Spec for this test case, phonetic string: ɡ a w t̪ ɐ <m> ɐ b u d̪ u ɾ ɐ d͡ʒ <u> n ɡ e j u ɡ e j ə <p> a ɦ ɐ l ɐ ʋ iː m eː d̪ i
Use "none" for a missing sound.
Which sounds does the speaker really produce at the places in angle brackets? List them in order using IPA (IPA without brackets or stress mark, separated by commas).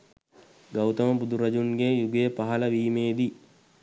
m, u, p